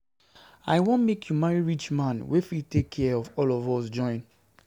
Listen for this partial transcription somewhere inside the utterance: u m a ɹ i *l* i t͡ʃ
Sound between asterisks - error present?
yes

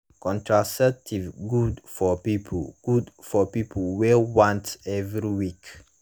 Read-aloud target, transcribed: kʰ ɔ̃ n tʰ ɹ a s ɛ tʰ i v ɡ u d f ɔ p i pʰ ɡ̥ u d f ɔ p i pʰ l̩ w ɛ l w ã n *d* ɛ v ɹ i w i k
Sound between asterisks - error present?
yes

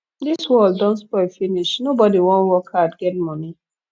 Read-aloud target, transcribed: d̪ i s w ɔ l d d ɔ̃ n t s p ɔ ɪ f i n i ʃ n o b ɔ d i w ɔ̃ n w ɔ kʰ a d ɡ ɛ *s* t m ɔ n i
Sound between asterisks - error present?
yes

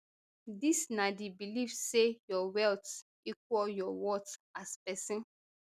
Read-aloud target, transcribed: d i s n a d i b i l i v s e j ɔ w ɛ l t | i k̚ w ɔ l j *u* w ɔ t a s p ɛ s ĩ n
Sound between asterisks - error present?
yes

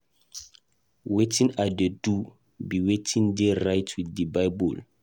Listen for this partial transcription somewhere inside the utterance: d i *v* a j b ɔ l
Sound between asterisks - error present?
yes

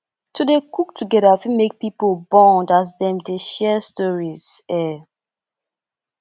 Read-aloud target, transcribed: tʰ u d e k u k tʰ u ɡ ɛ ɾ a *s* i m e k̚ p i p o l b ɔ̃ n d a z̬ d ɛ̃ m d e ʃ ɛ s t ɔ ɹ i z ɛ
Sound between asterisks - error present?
yes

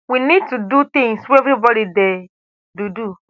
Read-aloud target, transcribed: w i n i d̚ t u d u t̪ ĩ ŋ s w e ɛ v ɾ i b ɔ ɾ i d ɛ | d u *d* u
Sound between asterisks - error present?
no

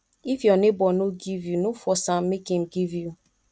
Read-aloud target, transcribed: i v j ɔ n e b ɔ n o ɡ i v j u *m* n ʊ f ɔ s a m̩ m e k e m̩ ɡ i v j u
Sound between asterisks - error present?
yes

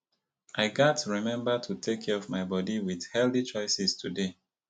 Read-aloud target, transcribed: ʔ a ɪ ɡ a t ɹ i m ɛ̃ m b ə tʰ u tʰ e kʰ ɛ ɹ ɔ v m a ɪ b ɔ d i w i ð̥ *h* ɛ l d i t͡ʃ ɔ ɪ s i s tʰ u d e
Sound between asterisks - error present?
no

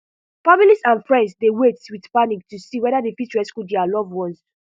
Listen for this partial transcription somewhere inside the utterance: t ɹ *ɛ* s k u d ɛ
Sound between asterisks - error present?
no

